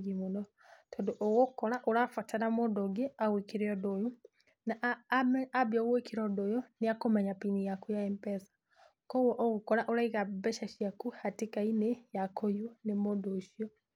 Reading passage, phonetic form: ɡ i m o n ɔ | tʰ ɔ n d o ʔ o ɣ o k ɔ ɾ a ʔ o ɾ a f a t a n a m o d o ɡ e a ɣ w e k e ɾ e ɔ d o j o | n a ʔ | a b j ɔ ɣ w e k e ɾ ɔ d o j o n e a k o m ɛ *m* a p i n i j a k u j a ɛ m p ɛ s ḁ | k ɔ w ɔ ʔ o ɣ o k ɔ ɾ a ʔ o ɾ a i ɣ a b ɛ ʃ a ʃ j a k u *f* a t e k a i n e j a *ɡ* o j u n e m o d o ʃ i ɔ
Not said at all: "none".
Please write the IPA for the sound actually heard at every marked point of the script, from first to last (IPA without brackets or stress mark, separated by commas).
ɲ, h, k